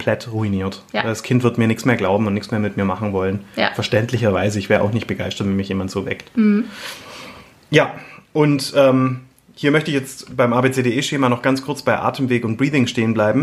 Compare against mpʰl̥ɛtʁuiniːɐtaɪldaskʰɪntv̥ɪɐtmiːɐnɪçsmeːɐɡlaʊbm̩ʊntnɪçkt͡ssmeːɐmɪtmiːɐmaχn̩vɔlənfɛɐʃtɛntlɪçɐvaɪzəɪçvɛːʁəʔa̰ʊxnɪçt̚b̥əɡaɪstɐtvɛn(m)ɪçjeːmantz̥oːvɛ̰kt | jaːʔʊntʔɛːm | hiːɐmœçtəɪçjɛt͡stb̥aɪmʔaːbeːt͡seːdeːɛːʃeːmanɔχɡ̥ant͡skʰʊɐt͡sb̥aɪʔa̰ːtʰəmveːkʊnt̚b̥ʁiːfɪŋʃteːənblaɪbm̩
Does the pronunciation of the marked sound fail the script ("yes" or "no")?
no